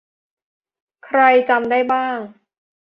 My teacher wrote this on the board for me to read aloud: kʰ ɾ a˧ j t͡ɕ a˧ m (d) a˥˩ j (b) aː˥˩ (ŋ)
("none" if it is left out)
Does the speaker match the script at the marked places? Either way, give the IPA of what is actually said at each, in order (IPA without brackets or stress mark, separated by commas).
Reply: d, b, ŋ